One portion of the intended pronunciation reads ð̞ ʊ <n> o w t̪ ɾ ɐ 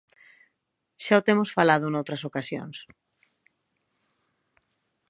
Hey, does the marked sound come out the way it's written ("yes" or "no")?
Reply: yes